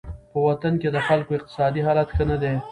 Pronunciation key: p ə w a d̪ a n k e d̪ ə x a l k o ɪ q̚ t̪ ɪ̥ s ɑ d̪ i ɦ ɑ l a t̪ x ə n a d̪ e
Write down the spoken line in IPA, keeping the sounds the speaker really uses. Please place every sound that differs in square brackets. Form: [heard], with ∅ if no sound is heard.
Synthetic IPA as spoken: p ə w a [t̪] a n k e d̪ ə x a l k o ɪ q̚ t̪ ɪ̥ s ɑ d̪ i ɦ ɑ l a t̪ x ə n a d̪ e